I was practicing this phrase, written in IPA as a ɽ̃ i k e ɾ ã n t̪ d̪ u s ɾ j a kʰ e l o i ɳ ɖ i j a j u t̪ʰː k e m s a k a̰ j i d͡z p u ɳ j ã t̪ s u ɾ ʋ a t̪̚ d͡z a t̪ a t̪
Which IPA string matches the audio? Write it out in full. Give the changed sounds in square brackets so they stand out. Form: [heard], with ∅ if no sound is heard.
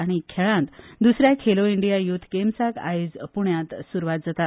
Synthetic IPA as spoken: a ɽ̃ i [kʰ] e [ɭ] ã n t̪ d̪ u s ɾ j a kʰ e l o i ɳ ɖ i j a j u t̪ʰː k e m s a k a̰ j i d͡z p u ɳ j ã t̪ s u ɾ ʋ a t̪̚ d͡z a t̪ a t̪